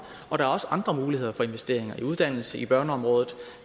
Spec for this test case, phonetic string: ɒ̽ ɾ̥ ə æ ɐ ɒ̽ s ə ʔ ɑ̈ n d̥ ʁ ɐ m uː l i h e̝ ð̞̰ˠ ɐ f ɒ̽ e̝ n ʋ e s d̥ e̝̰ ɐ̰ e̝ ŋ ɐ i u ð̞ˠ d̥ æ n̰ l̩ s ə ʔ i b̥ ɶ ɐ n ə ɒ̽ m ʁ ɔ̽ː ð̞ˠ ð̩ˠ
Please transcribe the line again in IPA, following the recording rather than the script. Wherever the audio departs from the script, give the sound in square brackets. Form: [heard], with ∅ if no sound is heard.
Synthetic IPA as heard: ɒ̽ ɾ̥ [ɑ] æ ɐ ɒ̽ s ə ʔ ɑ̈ n d̥ ʁ ɐ m uː l i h e̝ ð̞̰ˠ ɐ f ɒ̽ e̝ n ʋ e s d̥ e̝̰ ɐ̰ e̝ ŋ ɐ i u ð̞ˠ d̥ æ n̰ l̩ s ə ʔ i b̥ ɶ ɐ n ə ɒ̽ m ʁ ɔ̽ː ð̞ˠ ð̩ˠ